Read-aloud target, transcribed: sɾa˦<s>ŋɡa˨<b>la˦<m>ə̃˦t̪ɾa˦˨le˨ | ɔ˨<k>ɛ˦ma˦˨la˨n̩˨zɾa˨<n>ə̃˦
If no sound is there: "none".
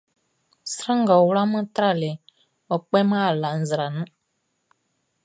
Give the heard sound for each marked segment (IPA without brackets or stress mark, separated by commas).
none, w, m, k͡p, n